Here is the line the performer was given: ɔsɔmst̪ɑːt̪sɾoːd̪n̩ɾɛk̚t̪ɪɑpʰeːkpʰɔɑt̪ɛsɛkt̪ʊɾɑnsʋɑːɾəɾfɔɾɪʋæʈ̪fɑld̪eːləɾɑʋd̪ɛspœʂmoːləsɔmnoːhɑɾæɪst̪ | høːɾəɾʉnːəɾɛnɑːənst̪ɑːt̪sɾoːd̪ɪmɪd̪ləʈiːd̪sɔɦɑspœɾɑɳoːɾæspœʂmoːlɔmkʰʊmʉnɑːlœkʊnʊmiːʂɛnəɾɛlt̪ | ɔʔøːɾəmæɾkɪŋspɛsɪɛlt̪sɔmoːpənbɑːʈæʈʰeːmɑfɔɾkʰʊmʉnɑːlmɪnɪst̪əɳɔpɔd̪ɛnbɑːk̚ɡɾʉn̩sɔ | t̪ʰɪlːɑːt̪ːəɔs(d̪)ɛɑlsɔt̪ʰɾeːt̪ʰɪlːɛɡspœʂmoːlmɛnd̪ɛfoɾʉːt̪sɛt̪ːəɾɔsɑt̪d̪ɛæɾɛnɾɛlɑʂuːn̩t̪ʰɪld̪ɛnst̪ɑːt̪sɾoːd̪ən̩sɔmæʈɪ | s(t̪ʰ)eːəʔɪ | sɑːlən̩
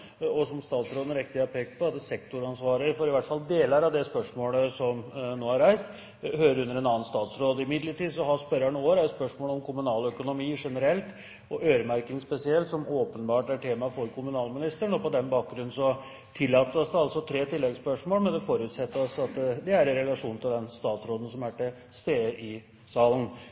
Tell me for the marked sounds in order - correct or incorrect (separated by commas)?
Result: correct, incorrect